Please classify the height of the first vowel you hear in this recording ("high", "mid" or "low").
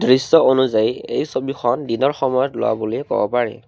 high